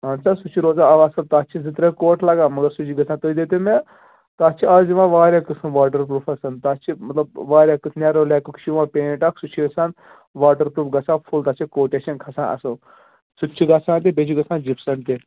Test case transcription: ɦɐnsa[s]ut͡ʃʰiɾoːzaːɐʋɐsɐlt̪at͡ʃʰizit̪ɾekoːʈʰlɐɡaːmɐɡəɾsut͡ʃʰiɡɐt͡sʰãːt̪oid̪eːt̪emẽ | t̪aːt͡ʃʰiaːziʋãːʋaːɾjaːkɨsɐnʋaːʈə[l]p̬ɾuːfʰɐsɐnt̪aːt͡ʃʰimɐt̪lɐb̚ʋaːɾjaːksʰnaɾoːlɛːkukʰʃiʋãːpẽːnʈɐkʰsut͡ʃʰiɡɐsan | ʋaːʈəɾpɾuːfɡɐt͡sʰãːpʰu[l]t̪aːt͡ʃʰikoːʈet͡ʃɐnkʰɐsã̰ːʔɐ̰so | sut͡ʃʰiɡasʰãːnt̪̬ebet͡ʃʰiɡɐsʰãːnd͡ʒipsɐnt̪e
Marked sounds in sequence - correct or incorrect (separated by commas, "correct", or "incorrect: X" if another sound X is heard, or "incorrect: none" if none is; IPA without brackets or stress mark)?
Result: correct, incorrect: ɾ, correct